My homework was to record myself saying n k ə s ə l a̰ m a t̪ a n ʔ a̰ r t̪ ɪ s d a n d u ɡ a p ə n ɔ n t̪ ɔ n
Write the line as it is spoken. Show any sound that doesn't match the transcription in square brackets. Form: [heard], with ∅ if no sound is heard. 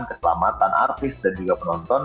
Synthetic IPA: n k ə s ə l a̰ m a t̪ a n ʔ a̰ r t̪ ɪ s d a n [d͡ʒ] u ɡ a p ə n ɔ n t̪ ɔ n